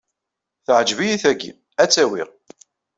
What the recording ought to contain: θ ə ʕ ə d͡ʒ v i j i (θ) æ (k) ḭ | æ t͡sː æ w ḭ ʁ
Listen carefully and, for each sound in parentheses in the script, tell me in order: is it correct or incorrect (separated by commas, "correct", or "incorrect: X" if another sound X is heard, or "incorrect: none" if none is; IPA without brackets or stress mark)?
correct, incorrect: ɡ